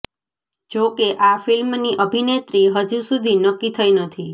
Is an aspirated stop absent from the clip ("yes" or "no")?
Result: no